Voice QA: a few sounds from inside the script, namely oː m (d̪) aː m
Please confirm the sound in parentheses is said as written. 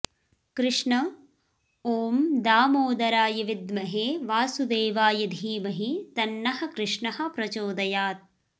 yes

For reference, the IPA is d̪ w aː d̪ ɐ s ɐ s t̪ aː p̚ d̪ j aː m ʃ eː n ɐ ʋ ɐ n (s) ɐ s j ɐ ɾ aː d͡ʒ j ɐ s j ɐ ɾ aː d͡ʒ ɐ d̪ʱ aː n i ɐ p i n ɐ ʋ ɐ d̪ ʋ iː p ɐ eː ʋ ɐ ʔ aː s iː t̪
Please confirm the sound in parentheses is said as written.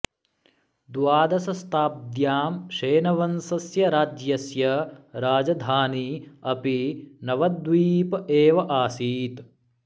yes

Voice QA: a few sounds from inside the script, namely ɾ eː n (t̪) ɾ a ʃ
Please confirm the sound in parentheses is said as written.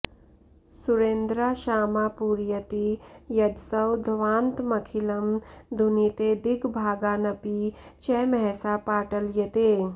no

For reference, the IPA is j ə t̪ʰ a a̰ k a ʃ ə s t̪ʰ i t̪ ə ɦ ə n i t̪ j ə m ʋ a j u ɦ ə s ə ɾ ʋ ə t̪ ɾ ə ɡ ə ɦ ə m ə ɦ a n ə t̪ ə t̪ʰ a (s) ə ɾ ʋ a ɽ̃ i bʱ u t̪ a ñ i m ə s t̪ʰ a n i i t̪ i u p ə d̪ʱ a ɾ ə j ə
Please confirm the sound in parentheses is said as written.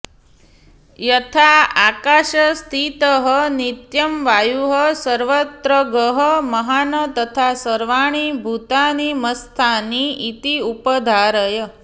yes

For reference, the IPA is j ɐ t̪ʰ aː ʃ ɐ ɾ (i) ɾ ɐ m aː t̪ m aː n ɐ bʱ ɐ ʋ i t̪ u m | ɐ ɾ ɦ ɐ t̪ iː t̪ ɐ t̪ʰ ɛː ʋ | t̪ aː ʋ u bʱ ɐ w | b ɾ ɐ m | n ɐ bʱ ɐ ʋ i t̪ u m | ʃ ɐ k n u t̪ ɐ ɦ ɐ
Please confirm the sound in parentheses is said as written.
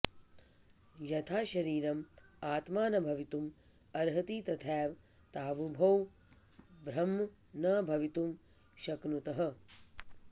no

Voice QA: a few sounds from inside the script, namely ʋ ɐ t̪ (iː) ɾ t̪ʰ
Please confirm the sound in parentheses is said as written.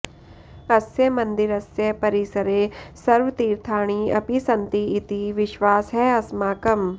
yes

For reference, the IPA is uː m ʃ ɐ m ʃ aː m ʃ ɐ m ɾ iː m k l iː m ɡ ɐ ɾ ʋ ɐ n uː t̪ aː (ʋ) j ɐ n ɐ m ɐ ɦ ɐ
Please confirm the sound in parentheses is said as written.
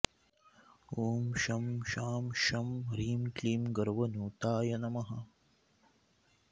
no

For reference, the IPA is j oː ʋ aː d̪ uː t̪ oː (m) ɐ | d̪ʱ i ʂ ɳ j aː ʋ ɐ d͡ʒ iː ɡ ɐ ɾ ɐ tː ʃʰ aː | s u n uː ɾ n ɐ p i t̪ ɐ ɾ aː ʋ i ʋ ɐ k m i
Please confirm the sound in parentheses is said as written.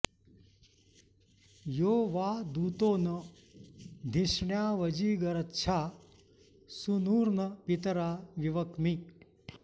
no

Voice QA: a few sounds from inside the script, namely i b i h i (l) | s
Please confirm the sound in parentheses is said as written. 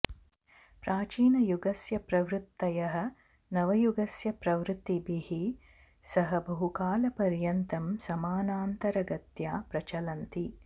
no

